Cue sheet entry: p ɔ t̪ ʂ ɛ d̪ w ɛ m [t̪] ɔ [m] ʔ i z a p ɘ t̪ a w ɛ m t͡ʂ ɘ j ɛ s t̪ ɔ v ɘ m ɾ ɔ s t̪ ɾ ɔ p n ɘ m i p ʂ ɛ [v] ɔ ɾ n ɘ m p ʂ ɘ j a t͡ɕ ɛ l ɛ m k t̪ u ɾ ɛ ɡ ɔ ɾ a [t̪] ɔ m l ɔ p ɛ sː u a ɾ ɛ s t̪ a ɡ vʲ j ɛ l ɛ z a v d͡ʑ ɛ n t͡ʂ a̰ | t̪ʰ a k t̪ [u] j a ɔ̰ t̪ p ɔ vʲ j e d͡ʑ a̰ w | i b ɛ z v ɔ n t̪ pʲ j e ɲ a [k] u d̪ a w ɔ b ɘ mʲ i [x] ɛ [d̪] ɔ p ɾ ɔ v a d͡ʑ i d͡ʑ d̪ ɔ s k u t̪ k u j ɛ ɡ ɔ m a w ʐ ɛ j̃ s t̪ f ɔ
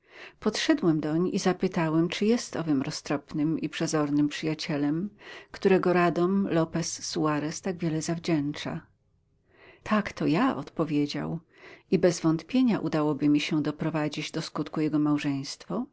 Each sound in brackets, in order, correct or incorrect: incorrect: d̪, incorrect: ɲ, incorrect: z, incorrect: d̪, incorrect: ɔ, incorrect: ʔ, incorrect: ɕ, correct

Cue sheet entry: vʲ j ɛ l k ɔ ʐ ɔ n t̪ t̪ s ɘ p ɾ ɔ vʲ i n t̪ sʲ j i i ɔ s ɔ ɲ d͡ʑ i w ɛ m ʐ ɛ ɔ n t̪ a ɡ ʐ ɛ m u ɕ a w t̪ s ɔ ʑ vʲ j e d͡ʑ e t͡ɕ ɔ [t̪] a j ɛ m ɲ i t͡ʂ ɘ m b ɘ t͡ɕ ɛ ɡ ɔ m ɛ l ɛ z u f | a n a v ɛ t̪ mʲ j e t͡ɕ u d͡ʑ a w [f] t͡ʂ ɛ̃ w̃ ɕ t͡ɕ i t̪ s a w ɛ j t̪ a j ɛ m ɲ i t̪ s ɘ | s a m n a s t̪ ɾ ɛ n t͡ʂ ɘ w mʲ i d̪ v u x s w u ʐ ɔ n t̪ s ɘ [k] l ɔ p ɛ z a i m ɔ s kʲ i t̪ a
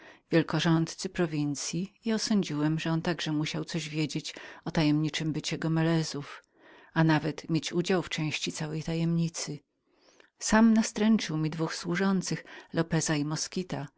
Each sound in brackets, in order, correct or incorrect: correct, correct, incorrect: x

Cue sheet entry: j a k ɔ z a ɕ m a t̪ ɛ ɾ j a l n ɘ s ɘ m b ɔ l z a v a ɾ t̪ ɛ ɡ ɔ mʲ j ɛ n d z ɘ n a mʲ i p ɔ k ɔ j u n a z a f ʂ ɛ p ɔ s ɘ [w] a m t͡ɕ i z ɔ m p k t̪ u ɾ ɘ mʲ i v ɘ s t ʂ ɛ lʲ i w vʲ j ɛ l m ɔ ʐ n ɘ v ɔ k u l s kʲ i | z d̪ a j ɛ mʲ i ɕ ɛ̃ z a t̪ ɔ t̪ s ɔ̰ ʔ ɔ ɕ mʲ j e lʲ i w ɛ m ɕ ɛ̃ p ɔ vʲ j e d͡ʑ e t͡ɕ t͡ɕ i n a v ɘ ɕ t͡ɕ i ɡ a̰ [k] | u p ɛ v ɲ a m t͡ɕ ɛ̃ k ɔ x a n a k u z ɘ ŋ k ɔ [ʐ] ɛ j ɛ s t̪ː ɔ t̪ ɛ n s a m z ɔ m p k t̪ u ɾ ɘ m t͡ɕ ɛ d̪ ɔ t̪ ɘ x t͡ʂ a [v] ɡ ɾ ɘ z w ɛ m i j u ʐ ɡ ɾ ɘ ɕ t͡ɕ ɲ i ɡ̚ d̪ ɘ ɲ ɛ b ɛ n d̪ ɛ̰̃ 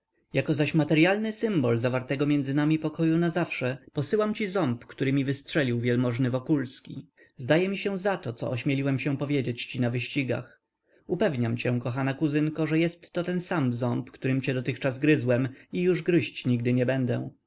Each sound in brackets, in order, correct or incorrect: correct, incorrect: x, correct, incorrect: z

